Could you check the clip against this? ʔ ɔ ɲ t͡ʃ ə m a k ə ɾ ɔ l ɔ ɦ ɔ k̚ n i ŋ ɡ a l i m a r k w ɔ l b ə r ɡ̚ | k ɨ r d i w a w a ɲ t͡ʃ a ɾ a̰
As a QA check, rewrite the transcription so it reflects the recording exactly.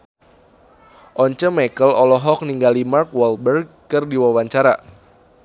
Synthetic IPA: ʔ ɔ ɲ t͡ʃ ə m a k ə l ɔ l ɔ ɦ ɔ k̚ n i ŋ ɡ a l i m a r k w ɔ l b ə r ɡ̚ | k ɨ r d i w a w a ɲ t͡ʃ a ɾ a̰